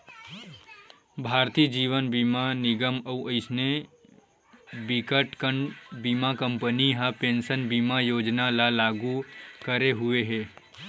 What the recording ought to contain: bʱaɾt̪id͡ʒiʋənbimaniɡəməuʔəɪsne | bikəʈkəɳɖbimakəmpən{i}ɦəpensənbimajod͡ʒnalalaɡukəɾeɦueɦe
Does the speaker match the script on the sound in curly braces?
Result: yes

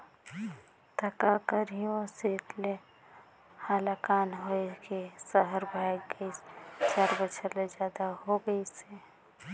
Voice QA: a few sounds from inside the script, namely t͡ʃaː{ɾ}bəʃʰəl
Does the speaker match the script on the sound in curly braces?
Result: yes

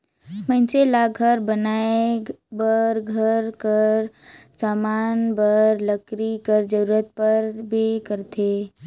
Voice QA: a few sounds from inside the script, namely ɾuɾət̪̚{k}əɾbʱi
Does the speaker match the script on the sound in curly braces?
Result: no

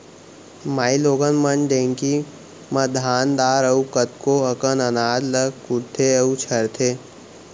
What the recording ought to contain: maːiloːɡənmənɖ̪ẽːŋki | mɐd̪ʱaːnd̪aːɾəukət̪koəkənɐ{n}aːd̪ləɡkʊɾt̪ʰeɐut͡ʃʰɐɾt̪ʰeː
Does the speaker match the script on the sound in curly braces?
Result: yes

